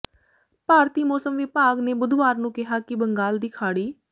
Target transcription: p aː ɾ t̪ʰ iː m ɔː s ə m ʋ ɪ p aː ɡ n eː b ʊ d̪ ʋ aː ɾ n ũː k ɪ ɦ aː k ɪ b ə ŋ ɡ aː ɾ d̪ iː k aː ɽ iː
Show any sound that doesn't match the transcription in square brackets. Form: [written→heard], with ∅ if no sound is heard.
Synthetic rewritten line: p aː ɾ [t̪ʰ→t̪] iː m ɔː s ə m ʋ ɪ p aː ɡ n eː b ʊ d̪ ʋ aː ɾ n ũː k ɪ ɦ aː k ɪ b ə ŋ ɡ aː [ɾ→l] d̪ iː [k→kʰ] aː ɽ iː